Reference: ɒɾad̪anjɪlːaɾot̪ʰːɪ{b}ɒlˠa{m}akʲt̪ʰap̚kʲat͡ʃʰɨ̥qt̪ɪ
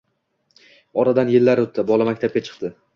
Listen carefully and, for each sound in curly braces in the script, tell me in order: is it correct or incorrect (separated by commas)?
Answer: correct, correct